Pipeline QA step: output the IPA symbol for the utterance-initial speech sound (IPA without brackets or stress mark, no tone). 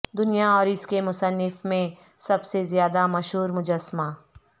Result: d̪